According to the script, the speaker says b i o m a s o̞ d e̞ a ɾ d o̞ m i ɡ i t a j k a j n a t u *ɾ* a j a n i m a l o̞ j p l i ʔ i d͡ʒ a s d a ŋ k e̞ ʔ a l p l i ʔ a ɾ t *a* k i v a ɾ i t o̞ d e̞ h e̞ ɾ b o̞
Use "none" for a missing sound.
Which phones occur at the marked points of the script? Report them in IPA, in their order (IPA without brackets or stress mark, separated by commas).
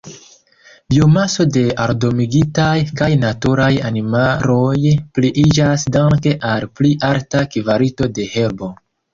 ɾ, a